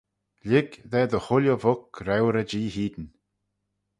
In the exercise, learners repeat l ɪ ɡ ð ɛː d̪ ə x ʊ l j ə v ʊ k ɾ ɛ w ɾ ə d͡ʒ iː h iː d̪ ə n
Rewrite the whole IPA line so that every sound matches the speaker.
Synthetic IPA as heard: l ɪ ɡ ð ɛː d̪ ə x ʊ l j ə v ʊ k ɾ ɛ w ɾ ə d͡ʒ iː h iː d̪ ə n

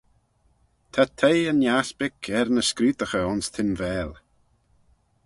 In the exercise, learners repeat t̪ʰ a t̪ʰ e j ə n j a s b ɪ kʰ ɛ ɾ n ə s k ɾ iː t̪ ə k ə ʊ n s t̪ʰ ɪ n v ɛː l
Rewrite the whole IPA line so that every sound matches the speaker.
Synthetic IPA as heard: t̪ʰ a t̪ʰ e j ə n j a s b ɪ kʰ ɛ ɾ n ə s k ɾ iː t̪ ə x ə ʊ n s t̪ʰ ɪ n v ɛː l

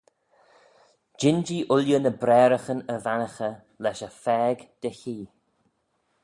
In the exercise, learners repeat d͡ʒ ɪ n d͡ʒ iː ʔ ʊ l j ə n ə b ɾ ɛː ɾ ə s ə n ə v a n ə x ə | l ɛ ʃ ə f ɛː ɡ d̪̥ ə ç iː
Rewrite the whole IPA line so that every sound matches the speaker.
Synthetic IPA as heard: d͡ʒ ɪ n d͡ʒ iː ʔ ʊ l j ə n ə b ɾ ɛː ɾ ə x ə n ə v a n ə x ə | l ɛ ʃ ə f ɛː ɡ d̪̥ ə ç iː

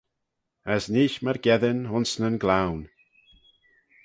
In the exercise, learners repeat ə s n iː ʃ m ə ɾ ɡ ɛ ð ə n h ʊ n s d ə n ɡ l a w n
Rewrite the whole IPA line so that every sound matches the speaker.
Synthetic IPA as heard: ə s n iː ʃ m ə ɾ ɡ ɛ ð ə n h ʊ n s n ə n ɡ l a w n

